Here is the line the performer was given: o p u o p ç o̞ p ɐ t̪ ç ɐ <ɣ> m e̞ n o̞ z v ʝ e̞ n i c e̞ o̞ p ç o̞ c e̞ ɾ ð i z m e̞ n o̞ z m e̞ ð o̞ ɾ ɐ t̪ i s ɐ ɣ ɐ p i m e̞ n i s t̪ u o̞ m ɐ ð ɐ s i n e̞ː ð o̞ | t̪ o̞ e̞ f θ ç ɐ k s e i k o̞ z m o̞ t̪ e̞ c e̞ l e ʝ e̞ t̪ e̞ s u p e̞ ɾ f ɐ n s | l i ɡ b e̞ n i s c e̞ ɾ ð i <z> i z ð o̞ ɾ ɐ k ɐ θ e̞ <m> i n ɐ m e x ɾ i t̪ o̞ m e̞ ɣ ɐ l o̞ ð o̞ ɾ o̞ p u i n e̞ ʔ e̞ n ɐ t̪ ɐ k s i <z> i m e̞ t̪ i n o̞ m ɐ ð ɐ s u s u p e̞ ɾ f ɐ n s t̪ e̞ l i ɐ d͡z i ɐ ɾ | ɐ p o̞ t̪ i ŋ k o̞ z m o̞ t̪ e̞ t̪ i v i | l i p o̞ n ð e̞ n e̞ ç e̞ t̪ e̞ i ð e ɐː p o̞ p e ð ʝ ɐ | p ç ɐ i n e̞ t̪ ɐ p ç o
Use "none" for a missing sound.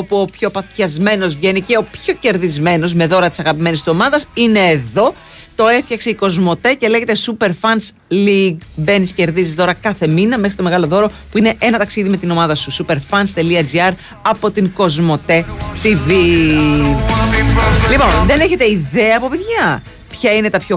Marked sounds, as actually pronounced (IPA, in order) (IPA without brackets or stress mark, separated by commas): z, z, m, ð